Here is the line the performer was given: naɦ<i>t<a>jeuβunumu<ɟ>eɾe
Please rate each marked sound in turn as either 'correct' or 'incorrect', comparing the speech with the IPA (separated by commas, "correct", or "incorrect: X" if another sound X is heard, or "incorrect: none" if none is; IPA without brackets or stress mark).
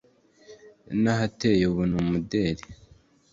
incorrect: a, incorrect: e, incorrect: d